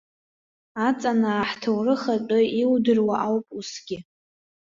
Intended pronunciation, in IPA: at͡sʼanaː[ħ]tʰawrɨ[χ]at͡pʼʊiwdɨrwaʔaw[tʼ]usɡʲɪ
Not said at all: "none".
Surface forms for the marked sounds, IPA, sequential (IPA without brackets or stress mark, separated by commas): ħ, χ, pʼ